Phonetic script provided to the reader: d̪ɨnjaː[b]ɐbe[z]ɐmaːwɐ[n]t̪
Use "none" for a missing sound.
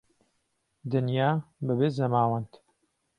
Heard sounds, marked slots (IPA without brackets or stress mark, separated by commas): b, z, n